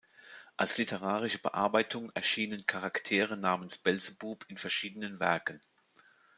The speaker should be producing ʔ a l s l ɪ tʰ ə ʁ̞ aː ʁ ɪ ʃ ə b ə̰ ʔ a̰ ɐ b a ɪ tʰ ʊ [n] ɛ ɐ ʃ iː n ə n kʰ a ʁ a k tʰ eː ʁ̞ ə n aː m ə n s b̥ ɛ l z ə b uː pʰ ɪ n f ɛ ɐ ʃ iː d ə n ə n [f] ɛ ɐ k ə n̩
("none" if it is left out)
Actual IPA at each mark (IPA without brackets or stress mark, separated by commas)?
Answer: ŋ, v